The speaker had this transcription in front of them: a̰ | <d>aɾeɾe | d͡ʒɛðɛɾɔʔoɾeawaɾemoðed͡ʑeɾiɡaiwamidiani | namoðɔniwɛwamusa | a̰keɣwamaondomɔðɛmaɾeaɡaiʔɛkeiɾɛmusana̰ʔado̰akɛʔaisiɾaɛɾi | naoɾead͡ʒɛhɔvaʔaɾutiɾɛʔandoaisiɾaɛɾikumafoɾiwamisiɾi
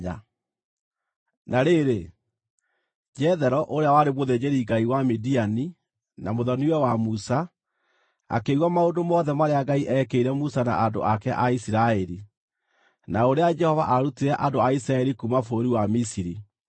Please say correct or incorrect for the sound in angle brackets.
incorrect